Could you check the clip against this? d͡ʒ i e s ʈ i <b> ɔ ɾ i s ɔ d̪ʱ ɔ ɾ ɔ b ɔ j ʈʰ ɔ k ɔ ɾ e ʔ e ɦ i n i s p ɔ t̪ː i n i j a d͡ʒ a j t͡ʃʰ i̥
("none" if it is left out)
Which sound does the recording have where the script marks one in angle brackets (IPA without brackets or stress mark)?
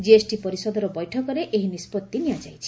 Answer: p